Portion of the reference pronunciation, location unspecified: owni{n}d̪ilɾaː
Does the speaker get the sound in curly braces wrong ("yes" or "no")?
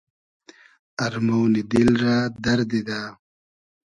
yes